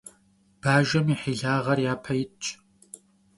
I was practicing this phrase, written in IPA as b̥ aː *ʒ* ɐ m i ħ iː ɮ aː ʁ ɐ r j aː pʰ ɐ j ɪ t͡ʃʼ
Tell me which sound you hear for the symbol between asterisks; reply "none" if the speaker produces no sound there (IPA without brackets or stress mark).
ʒ